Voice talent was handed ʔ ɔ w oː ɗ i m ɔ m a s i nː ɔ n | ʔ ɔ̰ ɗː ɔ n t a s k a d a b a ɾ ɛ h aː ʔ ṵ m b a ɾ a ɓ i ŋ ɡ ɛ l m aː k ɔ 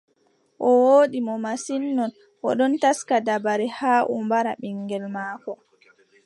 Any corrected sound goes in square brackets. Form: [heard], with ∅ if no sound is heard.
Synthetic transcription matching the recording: ʔ ɔ w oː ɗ i m ɔ m a s i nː ɔ n | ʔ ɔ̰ [ɗ] ɔ n t a s k a d a b a ɾ ɛ h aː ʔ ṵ m b a ɾ a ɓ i ŋ ɡ ɛ l m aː k ɔ